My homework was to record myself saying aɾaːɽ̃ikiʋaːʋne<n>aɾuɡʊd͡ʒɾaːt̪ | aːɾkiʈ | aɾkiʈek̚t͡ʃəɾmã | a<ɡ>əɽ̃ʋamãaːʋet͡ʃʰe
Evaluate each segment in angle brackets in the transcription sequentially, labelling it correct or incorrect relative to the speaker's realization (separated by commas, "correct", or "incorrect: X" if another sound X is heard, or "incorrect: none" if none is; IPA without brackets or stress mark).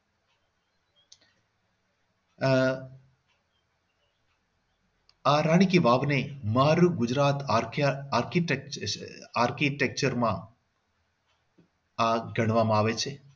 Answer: incorrect: m, correct